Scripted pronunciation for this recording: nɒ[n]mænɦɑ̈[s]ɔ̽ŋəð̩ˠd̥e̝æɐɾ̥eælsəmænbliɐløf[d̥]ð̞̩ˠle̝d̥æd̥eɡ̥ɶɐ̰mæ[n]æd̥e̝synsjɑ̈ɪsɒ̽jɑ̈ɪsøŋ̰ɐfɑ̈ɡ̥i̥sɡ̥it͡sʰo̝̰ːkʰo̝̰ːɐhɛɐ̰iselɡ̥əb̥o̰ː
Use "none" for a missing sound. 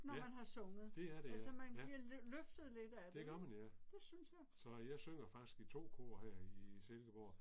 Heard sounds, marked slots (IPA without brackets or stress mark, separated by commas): none, s, d̥, n